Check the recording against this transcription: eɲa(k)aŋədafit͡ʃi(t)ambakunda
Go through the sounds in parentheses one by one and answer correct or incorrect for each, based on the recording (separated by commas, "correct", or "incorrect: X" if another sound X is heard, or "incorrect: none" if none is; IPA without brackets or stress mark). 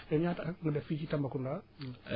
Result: incorrect: t, correct